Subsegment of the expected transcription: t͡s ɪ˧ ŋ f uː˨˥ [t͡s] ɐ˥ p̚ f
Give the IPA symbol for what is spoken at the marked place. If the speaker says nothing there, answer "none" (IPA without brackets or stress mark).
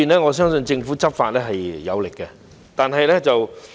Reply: t͡s